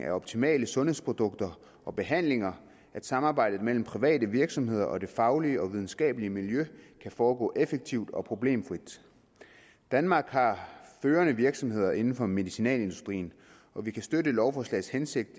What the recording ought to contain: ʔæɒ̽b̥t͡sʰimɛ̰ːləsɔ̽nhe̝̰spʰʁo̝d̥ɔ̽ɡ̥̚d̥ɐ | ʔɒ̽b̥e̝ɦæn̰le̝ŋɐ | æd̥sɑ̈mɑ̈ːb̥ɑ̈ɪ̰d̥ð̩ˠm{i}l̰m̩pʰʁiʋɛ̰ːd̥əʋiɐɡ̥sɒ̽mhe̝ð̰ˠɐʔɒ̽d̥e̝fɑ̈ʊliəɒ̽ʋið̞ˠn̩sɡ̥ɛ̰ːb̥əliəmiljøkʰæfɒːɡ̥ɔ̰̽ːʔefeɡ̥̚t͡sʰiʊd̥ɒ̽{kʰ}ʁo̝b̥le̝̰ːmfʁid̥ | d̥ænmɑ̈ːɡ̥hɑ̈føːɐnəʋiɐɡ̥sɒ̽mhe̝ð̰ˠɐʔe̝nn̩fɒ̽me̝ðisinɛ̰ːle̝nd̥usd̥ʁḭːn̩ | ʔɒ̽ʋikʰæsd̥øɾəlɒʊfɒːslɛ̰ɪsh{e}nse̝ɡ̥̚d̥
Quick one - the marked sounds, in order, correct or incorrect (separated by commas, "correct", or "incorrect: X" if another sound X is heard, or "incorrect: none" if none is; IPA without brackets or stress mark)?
incorrect: e, incorrect: pʰ, correct